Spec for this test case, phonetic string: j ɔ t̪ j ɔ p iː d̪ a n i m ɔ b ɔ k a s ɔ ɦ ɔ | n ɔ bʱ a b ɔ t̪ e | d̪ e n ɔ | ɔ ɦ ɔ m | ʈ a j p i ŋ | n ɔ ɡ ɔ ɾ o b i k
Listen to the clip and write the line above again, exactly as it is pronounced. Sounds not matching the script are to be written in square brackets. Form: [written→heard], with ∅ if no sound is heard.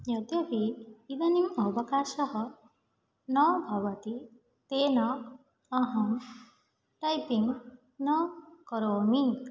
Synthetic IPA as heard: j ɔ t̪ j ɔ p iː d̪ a n i m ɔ b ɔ k a s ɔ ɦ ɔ | n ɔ bʱ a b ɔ t̪ [e→i] | [d̪→t̪] e n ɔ | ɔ ɦ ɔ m | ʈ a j p i ŋ | n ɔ [ɡ→k] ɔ ɾ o [b→m] i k